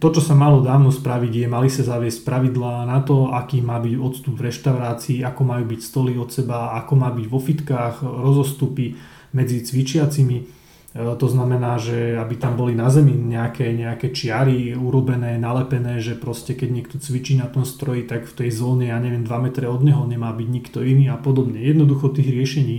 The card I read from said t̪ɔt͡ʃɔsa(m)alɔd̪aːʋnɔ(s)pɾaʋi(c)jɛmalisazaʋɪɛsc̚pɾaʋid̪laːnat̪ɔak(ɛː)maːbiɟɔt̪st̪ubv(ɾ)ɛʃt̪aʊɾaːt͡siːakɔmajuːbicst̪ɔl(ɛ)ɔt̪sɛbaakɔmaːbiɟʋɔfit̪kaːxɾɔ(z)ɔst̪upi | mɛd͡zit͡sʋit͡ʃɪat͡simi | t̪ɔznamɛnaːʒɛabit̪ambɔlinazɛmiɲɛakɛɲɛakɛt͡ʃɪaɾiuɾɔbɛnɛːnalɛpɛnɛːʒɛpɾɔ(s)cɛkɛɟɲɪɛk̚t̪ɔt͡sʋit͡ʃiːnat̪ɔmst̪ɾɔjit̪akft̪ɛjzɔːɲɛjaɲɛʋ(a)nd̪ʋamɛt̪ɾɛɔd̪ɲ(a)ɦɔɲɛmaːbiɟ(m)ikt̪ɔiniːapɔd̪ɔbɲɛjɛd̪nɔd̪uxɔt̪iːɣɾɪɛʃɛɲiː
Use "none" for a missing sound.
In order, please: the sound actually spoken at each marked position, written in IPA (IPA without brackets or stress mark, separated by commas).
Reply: m, s, ɟ, iː, ɾ, i, z, s, ɛ, ɛ, ɲ